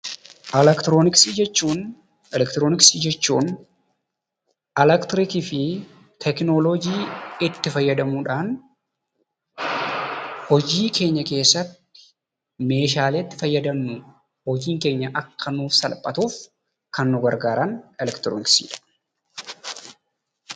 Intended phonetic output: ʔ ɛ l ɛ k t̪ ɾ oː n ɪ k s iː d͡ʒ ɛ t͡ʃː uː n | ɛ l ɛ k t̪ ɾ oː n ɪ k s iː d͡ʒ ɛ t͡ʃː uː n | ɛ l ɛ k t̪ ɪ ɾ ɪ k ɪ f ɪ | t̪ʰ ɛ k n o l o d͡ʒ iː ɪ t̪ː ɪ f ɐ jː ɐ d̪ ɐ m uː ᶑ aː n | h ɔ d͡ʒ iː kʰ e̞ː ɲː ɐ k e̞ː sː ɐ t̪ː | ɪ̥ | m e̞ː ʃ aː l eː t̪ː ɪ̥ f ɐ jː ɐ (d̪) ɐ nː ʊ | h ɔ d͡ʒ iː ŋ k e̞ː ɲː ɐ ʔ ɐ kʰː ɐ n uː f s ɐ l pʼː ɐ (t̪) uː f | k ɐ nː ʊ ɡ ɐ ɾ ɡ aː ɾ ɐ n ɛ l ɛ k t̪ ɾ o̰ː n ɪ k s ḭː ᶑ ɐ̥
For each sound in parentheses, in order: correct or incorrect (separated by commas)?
correct, correct